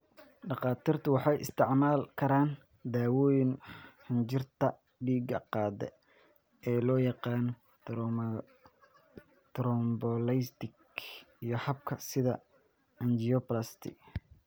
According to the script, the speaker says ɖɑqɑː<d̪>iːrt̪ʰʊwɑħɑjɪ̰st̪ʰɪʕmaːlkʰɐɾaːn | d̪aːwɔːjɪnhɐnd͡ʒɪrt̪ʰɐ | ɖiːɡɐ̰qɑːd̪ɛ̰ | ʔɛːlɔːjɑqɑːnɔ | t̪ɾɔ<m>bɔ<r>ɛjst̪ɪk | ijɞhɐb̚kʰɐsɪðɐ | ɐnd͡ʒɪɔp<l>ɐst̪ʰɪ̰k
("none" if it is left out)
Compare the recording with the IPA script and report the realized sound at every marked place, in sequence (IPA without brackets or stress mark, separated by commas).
t̪, m, l, l